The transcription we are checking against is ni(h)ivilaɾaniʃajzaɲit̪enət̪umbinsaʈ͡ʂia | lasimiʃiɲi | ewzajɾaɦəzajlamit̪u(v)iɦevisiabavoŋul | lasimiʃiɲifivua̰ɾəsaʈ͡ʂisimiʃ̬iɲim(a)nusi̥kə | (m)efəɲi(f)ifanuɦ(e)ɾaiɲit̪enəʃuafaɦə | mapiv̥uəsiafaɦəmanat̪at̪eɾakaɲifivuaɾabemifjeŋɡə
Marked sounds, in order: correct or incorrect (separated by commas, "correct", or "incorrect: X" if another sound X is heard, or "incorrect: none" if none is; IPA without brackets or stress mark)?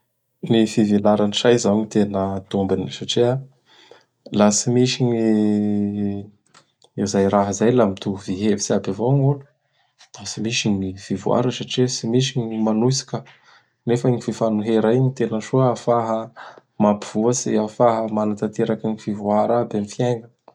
incorrect: f, correct, correct, incorrect: n, correct, correct